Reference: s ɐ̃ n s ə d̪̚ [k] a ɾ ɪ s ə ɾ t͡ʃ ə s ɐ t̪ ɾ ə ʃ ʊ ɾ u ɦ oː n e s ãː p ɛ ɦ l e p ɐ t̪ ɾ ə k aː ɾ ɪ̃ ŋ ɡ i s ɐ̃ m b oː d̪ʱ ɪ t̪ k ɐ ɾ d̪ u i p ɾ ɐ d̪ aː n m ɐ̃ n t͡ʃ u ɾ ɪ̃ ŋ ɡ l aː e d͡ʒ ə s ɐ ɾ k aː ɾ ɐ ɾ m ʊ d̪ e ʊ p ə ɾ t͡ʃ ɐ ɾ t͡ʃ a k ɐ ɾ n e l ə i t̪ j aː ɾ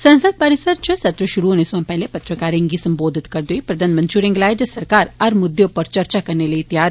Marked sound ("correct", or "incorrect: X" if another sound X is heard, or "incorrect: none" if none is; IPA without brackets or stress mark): incorrect: p